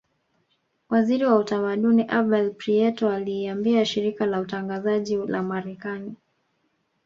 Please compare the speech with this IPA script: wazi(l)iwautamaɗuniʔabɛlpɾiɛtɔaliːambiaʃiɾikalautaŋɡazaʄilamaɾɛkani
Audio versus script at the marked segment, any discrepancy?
yes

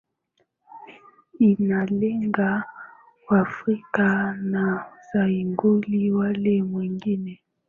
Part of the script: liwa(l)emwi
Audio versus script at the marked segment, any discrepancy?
no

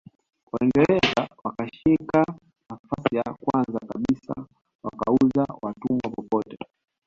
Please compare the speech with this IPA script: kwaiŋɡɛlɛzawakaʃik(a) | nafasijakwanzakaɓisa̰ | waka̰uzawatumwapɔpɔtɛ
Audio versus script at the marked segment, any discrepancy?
no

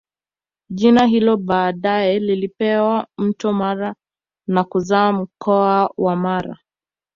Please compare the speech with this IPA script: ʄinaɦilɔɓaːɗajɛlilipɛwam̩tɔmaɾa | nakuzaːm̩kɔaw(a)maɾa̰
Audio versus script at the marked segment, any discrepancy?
no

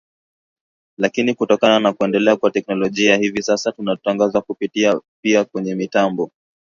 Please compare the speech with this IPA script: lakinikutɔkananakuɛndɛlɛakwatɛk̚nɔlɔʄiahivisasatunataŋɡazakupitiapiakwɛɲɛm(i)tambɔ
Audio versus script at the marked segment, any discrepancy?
no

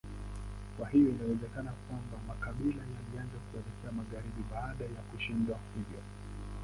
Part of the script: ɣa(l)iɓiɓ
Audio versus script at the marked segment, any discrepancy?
yes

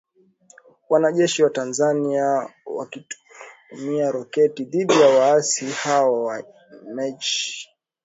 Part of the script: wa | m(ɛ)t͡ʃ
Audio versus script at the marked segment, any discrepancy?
no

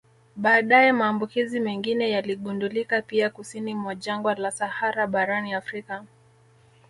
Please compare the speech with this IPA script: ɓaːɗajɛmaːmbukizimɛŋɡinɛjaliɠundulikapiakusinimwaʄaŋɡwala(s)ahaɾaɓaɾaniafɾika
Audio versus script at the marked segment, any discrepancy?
no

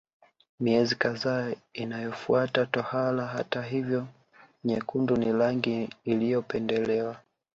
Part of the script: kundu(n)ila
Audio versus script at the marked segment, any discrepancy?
no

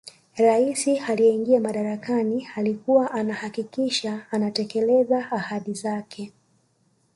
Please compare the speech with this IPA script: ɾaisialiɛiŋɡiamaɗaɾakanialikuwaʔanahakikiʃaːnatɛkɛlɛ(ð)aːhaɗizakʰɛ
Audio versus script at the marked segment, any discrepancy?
yes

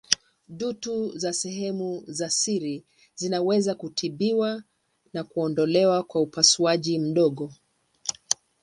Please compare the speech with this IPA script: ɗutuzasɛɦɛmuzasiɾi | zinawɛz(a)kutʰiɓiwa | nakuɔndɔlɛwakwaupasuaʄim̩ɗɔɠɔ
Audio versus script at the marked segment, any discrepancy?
no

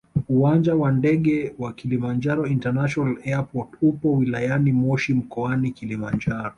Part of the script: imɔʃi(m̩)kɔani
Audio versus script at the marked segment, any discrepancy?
no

